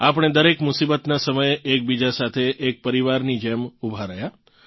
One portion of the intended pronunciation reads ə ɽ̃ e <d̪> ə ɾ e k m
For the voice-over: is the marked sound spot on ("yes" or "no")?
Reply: yes